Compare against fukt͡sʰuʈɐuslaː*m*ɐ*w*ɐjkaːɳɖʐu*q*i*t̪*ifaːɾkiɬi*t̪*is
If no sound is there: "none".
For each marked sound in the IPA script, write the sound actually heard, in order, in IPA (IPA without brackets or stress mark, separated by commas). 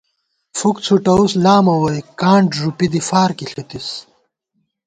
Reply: m, w, p, d̪, t̪